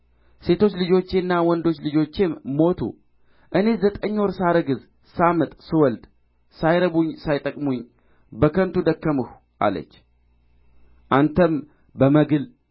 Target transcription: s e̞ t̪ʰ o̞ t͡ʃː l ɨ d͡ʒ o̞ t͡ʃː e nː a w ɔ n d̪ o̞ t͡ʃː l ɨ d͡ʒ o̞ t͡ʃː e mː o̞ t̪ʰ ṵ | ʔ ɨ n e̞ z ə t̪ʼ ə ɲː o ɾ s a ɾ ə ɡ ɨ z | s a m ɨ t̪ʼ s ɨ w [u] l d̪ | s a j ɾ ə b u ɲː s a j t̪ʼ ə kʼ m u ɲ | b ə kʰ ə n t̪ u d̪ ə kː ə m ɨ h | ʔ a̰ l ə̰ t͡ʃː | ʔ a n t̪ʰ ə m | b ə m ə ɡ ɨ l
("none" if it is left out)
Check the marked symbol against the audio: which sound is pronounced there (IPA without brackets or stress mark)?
ɔ